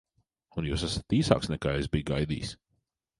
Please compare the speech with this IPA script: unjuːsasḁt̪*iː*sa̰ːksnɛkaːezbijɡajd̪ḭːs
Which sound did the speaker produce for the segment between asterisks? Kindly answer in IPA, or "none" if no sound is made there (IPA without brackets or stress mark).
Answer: iː